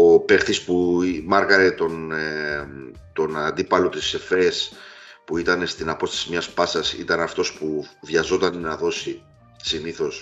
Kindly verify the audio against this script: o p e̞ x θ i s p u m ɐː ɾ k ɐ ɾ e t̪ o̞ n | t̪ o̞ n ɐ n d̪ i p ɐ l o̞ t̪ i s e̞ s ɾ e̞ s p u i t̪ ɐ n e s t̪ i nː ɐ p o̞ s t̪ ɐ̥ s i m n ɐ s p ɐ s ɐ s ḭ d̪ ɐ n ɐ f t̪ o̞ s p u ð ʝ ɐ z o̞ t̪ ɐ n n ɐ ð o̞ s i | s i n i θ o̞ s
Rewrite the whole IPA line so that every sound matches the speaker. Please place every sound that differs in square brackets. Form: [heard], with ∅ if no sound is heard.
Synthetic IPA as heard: o p e̞ x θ i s p u m [ɐ] ɾ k ɐ ɾ e t̪ o̞ n | t̪ o̞ n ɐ n d̪ i p ɐ l o̞ t̪ i s e̞ [f] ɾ e̞ s p u i t̪ ɐ n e s t̪ i [n] ɐ p o̞ s t̪ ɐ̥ s i m [ɲ] ɐ s p ɐ s ɐ s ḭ [t̪] ɐ n ɐ f t̪ o̞ s p u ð ʝ ɐ z o̞ t̪ ɐ n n ɐ ð o̞ s i | s i n i θ o̞ s